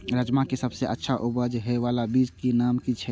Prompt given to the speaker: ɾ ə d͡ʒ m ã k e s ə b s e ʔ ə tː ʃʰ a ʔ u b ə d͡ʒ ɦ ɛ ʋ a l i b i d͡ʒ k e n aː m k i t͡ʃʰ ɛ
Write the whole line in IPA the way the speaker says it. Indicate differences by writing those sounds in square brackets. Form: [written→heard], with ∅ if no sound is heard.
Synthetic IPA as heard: ɾ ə d͡ʒ m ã k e s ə b s e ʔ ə tː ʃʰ a ʔ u b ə d͡ʒ ɦ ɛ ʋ a l [i→a] b i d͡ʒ k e n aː m k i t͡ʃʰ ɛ